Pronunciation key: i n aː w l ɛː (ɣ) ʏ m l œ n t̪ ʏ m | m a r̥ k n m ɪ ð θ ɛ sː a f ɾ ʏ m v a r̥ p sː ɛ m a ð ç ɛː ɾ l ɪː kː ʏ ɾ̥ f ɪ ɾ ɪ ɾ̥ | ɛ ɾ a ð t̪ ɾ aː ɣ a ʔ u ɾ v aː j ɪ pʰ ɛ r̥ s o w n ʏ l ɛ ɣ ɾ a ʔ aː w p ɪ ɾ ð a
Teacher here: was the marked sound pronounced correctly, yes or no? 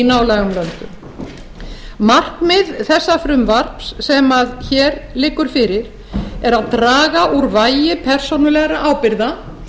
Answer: yes